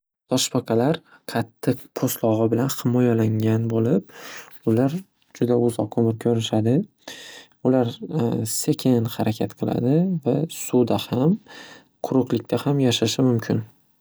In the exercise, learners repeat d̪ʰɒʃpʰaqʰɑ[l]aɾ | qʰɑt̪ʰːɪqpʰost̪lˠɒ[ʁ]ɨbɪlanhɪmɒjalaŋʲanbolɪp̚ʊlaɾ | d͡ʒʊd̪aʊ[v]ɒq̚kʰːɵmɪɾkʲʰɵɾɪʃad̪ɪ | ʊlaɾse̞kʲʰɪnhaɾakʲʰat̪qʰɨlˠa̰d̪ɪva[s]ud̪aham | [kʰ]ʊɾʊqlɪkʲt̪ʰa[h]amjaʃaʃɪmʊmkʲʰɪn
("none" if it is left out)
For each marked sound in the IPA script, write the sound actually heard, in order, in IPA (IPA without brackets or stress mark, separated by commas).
l, ʁ, z, s, qʰ, h